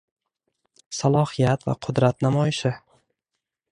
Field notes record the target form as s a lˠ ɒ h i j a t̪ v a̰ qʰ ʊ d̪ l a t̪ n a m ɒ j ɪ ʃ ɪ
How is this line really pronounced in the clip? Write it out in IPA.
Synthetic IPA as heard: s a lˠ ɒ h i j a t̪ v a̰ qʰ ʊ d̪ ɾ a t̪ n a m ɒ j ɪ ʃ ɪ